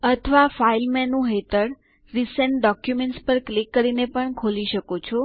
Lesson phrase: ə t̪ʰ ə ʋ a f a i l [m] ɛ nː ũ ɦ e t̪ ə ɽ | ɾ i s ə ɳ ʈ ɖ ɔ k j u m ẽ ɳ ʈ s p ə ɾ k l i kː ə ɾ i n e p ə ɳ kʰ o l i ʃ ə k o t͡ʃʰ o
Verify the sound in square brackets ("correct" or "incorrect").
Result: correct